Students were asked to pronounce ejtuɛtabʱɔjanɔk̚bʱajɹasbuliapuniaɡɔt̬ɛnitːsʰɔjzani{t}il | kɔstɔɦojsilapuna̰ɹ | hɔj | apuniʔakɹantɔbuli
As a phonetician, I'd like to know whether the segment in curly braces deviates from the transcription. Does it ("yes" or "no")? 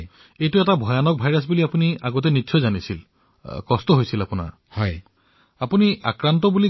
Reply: yes